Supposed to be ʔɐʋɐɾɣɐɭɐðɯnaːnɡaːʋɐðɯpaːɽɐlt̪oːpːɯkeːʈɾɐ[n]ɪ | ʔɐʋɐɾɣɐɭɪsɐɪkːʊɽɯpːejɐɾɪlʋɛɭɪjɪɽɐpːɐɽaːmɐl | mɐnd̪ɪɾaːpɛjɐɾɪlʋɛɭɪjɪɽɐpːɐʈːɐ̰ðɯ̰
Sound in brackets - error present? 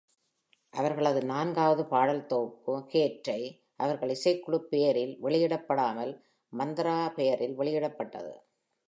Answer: yes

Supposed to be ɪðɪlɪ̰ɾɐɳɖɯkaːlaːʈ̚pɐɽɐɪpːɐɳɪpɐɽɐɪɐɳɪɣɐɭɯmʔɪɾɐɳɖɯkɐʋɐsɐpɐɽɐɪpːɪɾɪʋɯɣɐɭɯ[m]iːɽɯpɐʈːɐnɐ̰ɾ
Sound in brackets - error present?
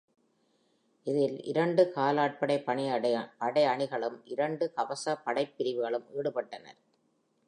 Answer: no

